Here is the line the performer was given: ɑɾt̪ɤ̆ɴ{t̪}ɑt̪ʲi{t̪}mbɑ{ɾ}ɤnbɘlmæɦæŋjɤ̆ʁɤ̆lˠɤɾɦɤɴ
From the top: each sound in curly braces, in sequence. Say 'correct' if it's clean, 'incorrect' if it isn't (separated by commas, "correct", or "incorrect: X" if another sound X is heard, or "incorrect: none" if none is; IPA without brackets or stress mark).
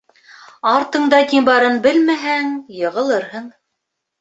incorrect: d̪, incorrect: none, correct